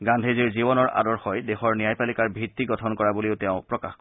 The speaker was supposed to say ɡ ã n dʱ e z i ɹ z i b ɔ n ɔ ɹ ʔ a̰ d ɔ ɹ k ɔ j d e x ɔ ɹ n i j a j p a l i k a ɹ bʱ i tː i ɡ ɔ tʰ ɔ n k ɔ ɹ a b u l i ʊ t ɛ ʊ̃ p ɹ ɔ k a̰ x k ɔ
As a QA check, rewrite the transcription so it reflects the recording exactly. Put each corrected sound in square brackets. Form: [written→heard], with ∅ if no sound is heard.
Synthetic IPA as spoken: ɡ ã n dʱ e z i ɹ z i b ɔ n ɔ ɹ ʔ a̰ d ɔ ɹ [k→x] ɔ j d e x ɔ ɹ n i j a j p a l i k a ɹ bʱ i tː i ɡ ɔ tʰ ɔ n k ɔ ɹ a b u l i ʊ t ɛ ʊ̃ p ɹ ɔ k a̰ x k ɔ